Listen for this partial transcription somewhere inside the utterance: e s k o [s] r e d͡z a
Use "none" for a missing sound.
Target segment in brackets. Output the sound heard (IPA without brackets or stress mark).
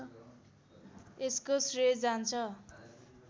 s